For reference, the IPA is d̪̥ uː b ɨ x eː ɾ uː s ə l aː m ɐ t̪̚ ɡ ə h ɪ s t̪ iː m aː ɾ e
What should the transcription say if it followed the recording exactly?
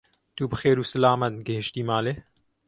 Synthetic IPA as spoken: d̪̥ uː b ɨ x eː ɾ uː s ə l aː m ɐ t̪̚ ɡ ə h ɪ ʃ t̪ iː m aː l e